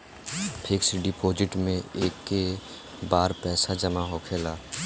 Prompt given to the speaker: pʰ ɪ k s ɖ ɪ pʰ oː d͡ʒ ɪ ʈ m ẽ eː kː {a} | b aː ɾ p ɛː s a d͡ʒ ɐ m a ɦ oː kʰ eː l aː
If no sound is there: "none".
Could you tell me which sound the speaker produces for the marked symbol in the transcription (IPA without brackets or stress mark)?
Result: e